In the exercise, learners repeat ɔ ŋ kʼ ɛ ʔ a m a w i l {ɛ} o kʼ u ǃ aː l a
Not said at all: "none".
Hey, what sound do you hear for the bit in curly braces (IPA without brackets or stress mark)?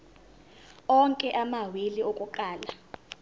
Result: i